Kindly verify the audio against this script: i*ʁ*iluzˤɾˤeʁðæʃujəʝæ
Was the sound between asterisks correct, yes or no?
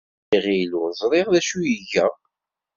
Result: yes